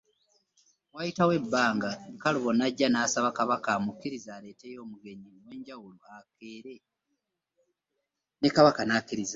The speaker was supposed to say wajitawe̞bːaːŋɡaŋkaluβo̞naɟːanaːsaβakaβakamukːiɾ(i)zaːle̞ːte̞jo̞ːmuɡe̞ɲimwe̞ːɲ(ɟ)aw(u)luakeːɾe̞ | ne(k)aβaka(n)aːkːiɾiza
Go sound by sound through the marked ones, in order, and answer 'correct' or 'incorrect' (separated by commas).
correct, correct, correct, correct, correct